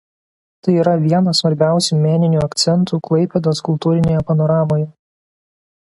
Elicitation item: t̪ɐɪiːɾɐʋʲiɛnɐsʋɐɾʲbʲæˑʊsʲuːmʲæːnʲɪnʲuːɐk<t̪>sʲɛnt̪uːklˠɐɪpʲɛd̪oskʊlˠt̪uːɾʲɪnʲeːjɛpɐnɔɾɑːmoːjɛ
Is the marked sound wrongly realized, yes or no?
no